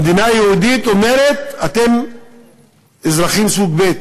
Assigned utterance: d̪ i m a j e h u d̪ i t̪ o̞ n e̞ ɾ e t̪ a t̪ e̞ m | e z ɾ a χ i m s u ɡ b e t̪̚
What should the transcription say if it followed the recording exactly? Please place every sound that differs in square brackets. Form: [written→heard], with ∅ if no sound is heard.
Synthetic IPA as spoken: d̪ i [m→n] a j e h u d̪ i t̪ o̞ [n→m] e̞ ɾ e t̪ a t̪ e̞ m | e z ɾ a χ i m s u ɡ b e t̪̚

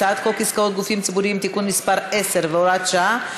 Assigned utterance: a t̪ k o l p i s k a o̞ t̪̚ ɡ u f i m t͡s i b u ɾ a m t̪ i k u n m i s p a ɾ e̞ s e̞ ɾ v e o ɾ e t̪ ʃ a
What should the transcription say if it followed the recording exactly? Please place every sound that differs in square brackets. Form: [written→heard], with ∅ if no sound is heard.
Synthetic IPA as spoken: a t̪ k o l [p→k] i s k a o̞ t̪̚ ɡ u f i m t͡s i b u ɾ [a→i] m t̪ i k u n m i s p a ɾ e̞ s e̞ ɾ v e o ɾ [e→a] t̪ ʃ a

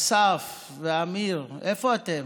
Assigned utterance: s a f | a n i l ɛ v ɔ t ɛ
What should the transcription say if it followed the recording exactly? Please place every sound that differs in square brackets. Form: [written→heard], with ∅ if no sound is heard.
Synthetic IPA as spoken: s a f | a [n→m] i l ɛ [v→f] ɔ t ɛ

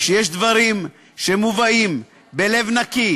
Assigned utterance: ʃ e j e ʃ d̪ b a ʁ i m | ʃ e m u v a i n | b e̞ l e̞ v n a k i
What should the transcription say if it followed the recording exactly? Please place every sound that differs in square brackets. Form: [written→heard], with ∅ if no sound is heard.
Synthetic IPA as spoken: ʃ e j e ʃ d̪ [b→v] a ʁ i m | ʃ e m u v a i [n→m] | b e̞ l e̞ v n a k i

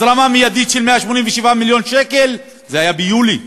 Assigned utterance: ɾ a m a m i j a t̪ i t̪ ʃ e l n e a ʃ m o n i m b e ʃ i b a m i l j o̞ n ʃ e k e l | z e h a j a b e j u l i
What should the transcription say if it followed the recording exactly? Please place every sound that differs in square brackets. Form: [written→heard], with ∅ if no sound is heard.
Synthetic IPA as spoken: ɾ a m a m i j a [t̪→d̪] i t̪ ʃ e l [n→m] e a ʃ m o n i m [b→v] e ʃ i [b→v] a m i l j o̞ n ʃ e k e l | z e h a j a b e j u l i

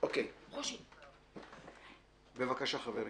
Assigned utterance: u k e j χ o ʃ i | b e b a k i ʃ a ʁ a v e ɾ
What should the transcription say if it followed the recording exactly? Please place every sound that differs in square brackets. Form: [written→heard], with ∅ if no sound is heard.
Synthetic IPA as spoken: [u→o] k e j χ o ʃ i | b e [b→v] a k [i→a] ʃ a [ʁ→χ] a v e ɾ

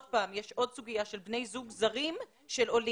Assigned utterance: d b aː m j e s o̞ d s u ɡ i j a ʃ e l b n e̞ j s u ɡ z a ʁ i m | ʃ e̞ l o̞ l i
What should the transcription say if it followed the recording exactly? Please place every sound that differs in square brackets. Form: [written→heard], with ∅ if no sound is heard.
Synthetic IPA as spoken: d [b→p] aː m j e [s→ʃ] o̞ d s u ɡ i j a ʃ e l b n e̞ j [s→z] u ɡ z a ʁ i m | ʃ e̞ l o̞ l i

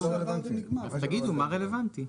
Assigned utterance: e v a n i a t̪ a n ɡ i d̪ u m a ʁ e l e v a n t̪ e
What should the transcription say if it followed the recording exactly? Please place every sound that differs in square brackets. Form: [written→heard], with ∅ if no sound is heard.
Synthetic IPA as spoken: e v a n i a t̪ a [n→∅] ɡ i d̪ u m a ʁ e l e v a n t̪ [e→i]

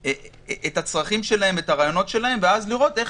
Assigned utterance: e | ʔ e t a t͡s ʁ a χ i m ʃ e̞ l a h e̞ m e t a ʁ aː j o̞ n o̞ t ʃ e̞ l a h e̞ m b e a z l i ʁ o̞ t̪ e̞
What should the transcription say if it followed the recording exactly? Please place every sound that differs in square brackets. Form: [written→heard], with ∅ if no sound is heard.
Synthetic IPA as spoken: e | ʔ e t a t͡s ʁ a χ i m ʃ e̞ l a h e̞ m e t a ʁ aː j o̞ n o̞ t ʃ e̞ l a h e̞ m [b→v] e a z l i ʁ o̞ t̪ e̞

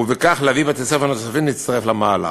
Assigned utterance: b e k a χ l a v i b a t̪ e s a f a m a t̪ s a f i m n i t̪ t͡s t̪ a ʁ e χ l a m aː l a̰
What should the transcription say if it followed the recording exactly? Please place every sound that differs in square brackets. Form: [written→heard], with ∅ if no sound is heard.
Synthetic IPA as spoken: [b→v] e k a χ l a v i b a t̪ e s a f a [m→n] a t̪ s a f i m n i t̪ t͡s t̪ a ʁ e [χ→f] l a m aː l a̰

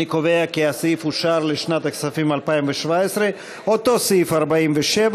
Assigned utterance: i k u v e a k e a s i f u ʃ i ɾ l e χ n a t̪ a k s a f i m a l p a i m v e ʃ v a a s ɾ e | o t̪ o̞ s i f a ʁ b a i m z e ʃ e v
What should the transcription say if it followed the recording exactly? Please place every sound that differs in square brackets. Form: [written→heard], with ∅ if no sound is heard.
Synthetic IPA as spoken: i k [u→o] v e a k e a s i f u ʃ [i→a] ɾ l e [χ→ʃ] n a t̪ a k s a f i m a l p a i m v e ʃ v a [a→e] s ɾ e | o t̪ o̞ s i f a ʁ b a i m [z→v] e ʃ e v

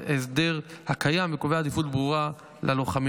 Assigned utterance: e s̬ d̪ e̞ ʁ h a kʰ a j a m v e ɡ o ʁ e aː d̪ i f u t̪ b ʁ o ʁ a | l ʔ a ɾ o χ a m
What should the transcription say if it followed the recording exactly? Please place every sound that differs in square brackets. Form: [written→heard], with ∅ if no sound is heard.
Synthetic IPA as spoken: e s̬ d̪ e̞ ʁ h a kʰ a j a m v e [ɡ→k] o [ʁ→v] e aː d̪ i f u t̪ b ʁ [o→u] ʁ a | l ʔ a [ɾ→l] o χ a m

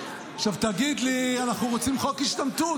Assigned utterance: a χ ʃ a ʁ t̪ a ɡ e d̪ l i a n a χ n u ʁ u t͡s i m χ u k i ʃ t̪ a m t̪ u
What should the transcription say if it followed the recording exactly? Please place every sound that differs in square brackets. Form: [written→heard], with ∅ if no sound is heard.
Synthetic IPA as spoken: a χ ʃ a [ʁ→v] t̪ a ɡ [e→i] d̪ l i a n a χ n u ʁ [u→o] t͡s i m χ [u→o] k i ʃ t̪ a m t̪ u

